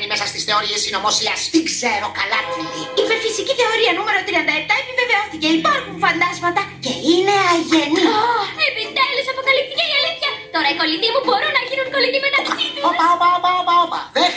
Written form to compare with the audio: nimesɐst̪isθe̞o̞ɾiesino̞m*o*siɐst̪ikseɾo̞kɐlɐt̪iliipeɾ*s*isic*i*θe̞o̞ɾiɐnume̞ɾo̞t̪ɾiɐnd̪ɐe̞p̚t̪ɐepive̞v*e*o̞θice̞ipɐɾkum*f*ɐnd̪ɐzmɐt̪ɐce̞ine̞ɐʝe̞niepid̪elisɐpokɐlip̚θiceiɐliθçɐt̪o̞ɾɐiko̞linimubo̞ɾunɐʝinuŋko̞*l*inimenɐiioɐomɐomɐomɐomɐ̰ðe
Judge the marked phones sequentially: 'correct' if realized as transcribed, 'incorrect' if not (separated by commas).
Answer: correct, incorrect, correct, correct, correct, correct